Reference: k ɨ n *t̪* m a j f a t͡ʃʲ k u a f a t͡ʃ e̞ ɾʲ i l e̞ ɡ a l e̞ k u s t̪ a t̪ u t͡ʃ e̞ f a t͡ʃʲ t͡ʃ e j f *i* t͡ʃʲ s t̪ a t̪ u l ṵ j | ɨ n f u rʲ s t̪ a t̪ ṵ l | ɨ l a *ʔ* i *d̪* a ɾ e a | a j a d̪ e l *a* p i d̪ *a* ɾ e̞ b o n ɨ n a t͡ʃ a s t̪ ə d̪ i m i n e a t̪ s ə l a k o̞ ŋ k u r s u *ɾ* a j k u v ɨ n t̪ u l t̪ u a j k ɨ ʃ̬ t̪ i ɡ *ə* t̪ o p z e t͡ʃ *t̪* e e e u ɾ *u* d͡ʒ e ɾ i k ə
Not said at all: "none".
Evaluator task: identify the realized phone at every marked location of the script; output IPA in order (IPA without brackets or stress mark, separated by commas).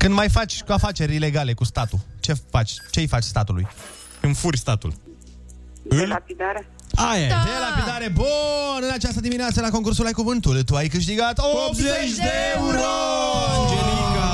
d̪, a, p, d̪, a, a, l, a, d̪, o